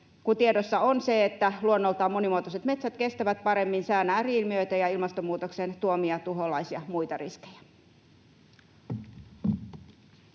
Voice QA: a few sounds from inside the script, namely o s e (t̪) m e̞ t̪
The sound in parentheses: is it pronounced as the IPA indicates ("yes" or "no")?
yes